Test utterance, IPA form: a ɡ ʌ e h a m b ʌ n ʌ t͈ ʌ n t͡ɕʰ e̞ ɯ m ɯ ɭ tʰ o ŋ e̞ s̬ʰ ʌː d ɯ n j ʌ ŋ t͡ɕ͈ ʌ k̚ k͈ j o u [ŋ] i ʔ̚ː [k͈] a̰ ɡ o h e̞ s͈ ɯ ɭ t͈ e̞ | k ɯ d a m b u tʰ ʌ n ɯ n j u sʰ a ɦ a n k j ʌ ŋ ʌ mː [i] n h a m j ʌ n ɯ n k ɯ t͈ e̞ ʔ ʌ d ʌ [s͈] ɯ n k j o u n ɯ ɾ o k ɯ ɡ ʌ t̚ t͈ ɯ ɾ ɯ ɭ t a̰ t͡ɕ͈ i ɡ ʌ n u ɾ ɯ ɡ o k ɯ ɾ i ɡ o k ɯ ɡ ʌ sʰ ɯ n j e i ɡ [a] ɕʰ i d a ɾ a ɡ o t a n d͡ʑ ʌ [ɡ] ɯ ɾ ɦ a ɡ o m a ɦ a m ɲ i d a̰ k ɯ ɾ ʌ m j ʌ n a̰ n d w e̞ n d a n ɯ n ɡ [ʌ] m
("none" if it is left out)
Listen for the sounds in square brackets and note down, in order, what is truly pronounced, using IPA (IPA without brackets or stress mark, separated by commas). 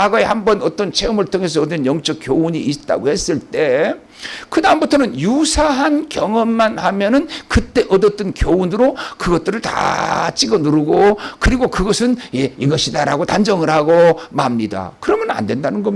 ɲ, t͈, a, t͈, ʌ, ŋ, ʌ